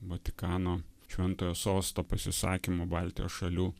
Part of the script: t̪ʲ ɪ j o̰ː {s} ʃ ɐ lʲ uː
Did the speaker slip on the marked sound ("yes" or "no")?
no